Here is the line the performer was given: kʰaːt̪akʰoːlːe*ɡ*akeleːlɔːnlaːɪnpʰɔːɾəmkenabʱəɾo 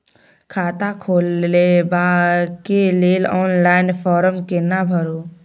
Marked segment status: incorrect: b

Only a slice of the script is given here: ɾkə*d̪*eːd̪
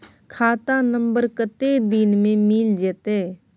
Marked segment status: incorrect: t̪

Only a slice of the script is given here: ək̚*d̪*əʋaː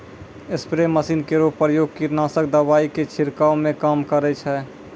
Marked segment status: correct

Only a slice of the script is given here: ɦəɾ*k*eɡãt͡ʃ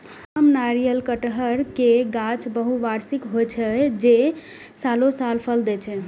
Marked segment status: correct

